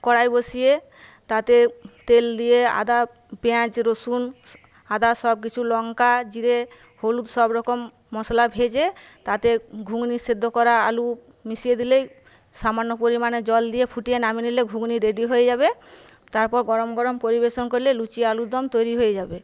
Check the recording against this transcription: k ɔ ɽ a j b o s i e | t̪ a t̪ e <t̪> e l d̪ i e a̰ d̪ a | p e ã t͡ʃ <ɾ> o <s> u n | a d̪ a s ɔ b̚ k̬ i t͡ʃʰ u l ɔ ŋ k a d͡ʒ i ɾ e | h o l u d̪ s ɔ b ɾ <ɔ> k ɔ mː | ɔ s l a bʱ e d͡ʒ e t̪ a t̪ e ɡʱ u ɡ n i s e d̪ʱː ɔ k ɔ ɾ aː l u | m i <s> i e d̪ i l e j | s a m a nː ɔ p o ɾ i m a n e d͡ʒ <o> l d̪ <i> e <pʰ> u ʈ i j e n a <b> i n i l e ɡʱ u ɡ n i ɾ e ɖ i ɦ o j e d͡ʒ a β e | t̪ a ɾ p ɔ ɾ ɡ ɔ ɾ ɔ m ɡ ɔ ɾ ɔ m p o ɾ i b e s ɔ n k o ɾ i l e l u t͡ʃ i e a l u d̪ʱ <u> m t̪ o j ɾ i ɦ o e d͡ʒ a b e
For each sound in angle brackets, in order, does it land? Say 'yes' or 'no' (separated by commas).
yes, yes, yes, yes, yes, no, yes, yes, no, no